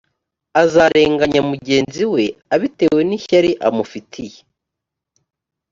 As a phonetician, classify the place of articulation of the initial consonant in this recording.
alveolar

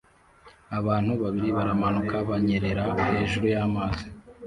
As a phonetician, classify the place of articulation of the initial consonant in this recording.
labial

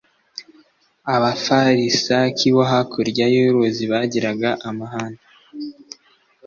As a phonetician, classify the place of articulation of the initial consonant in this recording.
labial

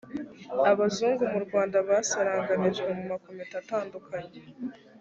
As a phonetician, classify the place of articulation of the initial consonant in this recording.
labial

